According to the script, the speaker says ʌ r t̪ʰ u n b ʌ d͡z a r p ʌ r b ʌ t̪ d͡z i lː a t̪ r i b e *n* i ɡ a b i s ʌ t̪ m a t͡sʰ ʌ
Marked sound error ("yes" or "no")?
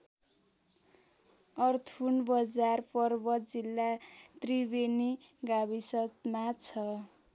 no